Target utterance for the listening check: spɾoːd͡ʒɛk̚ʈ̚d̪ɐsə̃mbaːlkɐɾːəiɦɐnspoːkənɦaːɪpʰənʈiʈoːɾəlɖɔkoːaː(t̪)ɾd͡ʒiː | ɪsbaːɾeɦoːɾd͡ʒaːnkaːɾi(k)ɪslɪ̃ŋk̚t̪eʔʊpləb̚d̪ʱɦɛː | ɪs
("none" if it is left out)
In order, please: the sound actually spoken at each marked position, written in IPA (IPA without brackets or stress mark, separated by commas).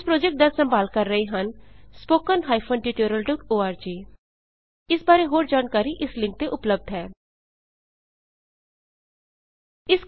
none, ʔ